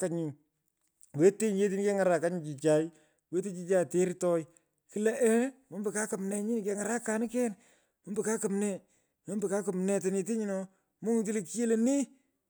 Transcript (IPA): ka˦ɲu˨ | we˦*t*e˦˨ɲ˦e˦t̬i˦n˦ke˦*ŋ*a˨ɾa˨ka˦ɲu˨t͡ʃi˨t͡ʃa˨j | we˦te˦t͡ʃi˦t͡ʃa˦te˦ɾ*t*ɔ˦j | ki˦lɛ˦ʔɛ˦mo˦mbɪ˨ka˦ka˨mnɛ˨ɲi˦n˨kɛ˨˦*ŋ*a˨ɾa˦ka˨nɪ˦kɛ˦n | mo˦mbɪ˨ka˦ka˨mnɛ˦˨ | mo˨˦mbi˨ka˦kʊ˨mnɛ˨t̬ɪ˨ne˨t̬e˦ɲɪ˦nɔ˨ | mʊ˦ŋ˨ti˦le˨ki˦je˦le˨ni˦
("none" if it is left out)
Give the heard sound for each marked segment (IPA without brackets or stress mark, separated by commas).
t, ŋ, t, ŋ